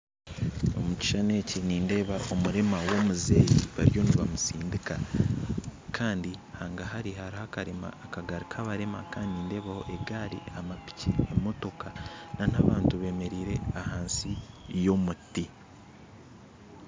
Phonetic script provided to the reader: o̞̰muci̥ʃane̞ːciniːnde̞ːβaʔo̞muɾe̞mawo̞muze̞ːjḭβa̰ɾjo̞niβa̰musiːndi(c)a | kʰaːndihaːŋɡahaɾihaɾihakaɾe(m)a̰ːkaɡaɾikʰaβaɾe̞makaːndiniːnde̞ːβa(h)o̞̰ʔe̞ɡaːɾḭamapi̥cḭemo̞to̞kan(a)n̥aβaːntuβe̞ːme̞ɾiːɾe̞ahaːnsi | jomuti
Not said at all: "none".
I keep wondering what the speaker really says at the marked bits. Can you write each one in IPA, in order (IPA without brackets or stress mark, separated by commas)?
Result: k, m, h, a